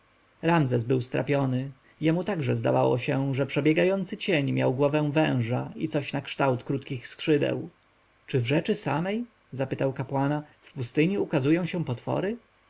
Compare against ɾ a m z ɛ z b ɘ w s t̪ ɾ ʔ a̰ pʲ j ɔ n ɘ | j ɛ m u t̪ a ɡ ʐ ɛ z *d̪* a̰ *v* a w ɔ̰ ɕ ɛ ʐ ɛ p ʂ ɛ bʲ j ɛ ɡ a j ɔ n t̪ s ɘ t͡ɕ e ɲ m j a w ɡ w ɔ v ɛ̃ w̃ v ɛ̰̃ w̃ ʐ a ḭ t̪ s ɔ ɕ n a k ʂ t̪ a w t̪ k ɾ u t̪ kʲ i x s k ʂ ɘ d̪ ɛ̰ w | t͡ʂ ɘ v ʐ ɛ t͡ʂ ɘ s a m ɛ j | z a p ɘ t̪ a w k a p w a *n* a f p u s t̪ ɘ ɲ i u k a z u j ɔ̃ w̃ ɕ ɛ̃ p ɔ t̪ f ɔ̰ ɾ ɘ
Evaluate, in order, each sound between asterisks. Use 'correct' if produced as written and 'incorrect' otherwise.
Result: correct, correct, correct

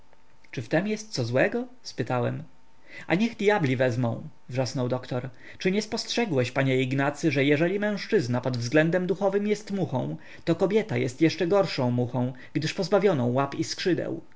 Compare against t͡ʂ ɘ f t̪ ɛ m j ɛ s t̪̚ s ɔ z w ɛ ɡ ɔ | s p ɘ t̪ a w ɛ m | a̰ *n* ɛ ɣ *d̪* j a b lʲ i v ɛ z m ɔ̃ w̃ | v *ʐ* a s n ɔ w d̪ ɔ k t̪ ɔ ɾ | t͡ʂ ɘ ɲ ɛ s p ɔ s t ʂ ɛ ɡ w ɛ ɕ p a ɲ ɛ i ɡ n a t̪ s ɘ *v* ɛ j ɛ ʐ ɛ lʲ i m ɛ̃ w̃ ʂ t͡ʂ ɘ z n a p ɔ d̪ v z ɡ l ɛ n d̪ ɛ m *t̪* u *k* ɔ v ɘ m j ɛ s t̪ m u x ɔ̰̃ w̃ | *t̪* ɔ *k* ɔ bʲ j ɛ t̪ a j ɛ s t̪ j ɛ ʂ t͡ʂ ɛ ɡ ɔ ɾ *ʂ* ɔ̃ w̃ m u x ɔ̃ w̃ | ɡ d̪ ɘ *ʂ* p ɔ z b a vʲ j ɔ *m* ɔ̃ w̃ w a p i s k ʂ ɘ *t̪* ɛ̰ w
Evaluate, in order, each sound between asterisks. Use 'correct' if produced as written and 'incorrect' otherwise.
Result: incorrect, correct, correct, incorrect, incorrect, incorrect, correct, correct, correct, correct, incorrect, incorrect

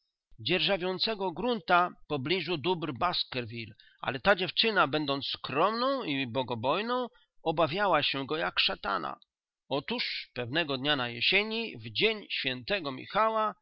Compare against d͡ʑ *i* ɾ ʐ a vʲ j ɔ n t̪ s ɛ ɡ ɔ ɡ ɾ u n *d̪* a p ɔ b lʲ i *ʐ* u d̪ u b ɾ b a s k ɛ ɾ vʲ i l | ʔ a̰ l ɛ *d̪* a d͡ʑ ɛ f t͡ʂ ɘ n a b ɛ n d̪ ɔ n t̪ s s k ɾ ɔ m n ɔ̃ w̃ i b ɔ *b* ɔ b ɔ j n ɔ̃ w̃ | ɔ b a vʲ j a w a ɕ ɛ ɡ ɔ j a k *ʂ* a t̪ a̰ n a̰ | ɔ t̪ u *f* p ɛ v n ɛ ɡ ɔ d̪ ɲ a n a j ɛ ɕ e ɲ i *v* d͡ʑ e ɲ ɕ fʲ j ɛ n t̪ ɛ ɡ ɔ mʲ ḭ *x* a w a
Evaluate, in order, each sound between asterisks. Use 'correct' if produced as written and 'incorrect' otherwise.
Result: incorrect, incorrect, correct, incorrect, incorrect, correct, incorrect, correct, correct

